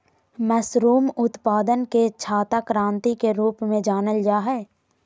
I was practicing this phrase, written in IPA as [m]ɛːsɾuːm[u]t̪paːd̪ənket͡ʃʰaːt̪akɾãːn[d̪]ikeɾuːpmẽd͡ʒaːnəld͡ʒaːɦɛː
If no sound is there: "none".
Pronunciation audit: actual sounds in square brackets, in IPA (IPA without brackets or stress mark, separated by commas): m, ʊ, t̪